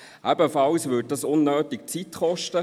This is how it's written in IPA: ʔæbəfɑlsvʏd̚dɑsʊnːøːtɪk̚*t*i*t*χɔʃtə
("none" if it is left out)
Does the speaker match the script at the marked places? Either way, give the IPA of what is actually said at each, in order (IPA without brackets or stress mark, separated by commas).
t͡s, t